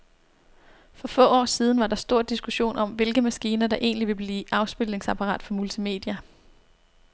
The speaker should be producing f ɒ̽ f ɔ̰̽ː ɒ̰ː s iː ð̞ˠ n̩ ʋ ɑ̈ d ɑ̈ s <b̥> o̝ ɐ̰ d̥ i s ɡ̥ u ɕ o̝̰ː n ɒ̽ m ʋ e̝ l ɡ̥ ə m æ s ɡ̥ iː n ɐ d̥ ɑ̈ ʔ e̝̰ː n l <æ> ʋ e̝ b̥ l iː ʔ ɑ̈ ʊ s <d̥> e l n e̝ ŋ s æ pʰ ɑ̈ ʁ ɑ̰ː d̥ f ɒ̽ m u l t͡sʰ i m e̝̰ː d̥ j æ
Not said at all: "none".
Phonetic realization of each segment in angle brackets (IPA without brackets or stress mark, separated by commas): d̥, i, b̥